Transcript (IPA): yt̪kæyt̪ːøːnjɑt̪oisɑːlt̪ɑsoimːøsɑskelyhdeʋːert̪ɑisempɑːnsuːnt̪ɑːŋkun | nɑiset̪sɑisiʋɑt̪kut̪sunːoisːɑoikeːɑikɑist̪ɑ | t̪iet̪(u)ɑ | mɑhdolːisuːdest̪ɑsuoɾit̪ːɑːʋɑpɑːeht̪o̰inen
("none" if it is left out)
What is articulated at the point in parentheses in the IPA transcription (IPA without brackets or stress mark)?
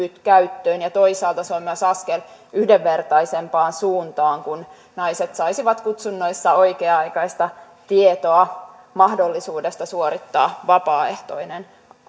o